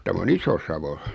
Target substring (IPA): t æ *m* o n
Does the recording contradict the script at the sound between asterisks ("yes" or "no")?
no